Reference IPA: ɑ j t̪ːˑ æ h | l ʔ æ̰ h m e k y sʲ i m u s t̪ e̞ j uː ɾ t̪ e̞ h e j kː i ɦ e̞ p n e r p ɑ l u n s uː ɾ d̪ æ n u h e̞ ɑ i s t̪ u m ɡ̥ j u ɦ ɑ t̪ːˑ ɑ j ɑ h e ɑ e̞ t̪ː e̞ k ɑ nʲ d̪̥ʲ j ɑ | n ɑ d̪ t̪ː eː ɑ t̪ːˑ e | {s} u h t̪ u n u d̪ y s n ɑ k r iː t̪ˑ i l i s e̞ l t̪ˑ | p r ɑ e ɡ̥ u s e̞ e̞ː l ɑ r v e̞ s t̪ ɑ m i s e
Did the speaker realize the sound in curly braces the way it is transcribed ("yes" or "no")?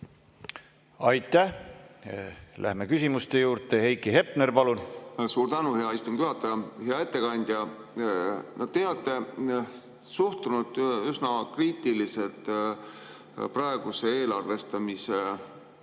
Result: yes